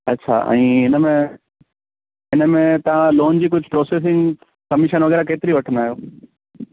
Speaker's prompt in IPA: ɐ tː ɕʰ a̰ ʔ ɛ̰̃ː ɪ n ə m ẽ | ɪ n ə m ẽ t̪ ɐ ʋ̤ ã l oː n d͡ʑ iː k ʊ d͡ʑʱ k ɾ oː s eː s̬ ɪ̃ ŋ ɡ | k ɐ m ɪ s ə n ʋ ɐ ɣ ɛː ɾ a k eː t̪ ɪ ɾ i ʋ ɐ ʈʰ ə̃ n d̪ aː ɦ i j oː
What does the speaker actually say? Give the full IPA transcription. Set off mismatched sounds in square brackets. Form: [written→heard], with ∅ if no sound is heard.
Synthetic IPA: ɐ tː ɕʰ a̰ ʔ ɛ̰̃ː ɪ n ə m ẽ | ɪ n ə m ẽ t̪ ɐ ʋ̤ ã l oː n d͡ʑ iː k ʊ d͡ʑʱ [k→p] ɾ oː s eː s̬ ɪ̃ ŋ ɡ | k ɐ m ɪ [s→ʃ] ə n ʋ ɐ ɣ ɛː ɾ a k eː t̪ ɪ ɾ i ʋ ɐ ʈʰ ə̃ n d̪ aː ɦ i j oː